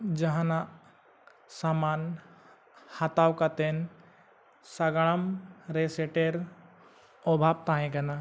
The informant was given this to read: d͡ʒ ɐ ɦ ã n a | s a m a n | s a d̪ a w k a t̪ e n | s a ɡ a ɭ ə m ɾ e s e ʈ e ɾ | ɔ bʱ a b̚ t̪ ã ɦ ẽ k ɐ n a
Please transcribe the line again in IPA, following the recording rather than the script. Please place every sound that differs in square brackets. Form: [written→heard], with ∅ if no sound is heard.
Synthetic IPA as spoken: d͡ʒ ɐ ɦ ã n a | s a m a n | [s→h] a [d̪→t̪] a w k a t̪ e n | s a ɡ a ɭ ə m ɾ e s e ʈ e ɾ | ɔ bʱ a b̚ t̪ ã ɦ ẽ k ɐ n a